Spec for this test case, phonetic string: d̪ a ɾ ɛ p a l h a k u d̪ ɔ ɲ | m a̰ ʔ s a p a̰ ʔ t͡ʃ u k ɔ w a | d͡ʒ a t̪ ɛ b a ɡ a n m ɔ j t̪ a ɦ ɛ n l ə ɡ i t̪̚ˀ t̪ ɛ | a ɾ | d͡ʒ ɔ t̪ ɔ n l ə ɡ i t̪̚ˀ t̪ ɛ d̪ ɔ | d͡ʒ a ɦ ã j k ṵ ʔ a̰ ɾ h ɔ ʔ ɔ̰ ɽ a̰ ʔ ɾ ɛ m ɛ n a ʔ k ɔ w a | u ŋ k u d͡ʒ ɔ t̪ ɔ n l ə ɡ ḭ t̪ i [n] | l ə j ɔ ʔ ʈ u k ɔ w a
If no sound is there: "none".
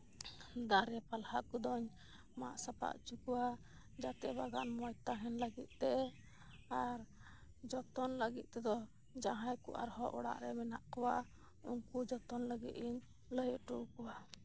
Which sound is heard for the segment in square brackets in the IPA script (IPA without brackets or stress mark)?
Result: ɲ